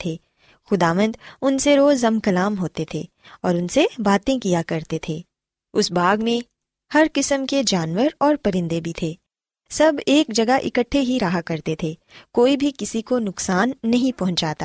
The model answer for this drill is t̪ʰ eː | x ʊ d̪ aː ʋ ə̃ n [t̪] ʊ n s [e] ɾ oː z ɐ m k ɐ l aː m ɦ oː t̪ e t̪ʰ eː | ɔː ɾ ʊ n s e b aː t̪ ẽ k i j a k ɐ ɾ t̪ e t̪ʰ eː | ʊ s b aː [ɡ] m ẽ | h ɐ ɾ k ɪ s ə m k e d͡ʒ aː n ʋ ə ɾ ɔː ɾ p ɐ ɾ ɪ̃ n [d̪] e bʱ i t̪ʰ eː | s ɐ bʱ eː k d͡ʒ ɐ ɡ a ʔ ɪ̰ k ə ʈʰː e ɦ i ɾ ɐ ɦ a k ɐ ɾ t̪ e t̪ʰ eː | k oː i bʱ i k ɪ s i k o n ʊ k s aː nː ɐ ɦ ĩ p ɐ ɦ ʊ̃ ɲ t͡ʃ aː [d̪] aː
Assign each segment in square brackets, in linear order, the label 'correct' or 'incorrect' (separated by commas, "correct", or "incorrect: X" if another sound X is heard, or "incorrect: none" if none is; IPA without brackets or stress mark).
incorrect: d̪, correct, correct, correct, incorrect: t̪